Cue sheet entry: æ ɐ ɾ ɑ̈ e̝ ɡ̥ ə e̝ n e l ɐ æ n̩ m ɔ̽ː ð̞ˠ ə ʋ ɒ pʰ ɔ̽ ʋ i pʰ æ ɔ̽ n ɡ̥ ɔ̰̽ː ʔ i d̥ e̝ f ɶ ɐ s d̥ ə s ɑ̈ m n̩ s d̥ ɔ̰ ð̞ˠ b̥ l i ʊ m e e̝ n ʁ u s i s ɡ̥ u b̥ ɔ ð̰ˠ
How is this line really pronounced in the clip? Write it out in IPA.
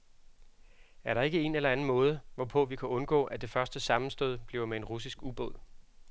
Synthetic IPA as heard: æ ɐ ɾ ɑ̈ e̝ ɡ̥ ə e̝ n e l ɐ æ n̩ m ɔ̽ː ð̞ˠ ə ʋ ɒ pʰ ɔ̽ ʋ i kʰ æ ɔ̽ n ɡ̥ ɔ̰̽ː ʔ æ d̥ e̝ f ɶ ɐ s d̥ ə s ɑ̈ m n̩ s d̥ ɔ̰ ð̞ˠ b̥ l i ʊ m e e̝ n ʁ u s i s ɡ̥ u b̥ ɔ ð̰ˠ